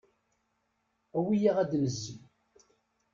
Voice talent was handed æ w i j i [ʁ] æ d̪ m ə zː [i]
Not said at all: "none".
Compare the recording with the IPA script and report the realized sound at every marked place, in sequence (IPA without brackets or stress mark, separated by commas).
ʁ, i